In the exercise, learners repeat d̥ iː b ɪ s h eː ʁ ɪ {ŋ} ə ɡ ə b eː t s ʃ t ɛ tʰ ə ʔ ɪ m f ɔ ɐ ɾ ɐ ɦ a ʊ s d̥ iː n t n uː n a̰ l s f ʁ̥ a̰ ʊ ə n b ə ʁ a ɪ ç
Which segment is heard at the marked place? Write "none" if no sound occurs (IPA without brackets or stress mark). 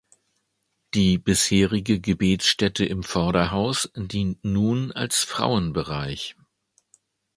ɡ